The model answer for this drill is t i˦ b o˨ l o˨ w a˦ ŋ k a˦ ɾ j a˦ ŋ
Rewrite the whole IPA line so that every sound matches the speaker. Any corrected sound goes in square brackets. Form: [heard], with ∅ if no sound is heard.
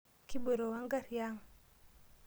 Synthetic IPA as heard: [k] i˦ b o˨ [ɾ] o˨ w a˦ ŋ [ɡ] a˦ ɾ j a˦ ŋ